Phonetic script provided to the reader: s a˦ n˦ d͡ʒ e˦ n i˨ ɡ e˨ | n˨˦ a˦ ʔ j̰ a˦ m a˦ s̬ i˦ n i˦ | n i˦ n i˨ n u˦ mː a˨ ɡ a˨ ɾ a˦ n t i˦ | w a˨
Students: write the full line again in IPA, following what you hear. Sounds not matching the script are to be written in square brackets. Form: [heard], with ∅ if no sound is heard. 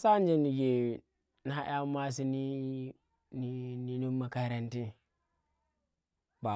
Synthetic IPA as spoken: s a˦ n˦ d͡ʒ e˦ n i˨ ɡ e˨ | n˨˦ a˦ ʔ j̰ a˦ m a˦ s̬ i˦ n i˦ | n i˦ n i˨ n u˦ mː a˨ [k] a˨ ɾ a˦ n t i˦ | [b] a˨